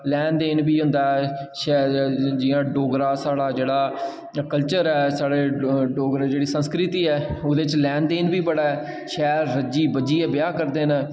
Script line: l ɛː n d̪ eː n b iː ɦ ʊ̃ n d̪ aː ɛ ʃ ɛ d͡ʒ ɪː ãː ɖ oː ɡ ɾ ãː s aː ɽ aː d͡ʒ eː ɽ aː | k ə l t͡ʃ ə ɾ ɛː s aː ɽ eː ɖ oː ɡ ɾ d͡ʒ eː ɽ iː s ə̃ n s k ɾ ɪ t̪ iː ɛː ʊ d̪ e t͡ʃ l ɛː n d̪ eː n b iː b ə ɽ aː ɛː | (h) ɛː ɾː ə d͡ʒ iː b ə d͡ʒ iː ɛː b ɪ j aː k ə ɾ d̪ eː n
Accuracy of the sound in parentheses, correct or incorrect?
incorrect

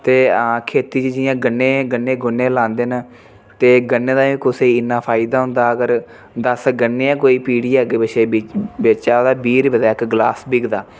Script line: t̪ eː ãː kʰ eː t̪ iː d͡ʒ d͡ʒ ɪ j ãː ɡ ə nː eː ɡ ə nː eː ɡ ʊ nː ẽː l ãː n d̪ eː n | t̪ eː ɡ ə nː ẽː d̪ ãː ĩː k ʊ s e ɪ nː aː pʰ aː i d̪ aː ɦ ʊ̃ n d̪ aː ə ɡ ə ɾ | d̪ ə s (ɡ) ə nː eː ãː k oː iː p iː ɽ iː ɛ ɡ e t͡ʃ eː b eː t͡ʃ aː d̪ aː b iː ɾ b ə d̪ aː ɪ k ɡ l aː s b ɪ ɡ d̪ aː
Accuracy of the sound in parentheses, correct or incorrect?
correct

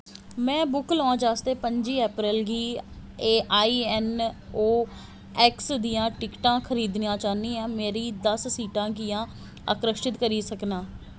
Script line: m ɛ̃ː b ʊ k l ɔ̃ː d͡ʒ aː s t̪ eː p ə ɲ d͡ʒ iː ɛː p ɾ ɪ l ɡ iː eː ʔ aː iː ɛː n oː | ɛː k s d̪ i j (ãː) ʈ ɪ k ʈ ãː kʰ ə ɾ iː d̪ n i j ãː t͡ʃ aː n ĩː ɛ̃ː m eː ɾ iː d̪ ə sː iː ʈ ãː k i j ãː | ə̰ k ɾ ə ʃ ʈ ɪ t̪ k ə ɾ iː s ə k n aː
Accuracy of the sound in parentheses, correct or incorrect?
correct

